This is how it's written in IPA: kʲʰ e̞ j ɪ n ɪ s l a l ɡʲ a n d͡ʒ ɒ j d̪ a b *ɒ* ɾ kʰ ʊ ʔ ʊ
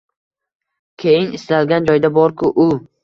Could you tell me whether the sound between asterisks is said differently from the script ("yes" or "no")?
no